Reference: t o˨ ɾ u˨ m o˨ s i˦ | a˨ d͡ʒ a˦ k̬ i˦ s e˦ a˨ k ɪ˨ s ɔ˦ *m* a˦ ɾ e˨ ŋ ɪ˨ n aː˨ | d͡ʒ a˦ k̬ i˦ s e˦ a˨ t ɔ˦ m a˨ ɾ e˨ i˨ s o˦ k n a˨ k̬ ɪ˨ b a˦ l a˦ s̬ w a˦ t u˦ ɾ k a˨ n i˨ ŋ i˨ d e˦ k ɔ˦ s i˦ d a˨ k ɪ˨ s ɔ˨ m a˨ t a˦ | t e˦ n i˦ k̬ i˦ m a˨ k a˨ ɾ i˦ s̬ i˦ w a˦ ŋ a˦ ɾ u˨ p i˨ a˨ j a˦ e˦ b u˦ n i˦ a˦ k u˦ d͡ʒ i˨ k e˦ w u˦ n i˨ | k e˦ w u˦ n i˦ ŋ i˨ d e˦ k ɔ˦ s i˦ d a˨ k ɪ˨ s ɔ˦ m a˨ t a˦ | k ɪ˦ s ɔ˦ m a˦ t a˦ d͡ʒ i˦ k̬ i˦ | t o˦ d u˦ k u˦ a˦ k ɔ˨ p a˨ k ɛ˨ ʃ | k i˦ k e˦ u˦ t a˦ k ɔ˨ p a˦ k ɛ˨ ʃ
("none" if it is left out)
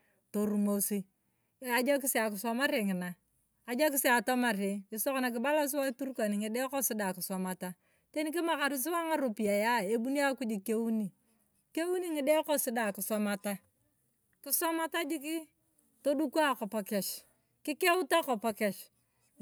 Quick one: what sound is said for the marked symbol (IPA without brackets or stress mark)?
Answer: m